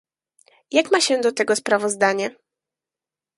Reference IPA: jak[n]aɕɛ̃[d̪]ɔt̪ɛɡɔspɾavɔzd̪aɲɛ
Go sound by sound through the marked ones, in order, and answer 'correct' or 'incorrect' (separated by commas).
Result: incorrect, correct